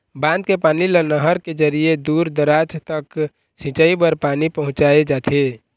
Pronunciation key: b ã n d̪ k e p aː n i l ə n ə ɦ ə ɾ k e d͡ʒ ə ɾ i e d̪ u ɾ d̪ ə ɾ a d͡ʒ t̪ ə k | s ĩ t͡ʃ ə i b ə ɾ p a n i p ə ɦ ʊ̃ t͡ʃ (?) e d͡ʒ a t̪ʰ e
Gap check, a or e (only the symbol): a